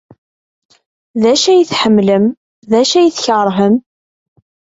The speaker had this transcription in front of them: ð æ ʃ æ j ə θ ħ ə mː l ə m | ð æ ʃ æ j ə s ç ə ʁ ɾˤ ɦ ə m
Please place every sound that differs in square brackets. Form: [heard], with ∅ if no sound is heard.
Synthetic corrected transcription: ð æ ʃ æ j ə θ ħ ə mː l ə m | ð æ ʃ æ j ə [θ] ç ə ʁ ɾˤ ɦ ə m